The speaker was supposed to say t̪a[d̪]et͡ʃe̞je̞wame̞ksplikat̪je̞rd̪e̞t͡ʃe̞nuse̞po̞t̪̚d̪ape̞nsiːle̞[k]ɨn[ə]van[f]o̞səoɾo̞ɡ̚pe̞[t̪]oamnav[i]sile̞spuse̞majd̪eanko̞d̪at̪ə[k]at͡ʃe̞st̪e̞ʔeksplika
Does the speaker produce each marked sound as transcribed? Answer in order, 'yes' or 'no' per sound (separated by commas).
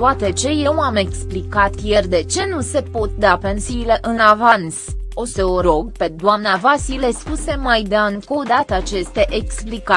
no, no, no, no, no, no, no